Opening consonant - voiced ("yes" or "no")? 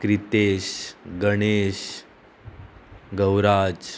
no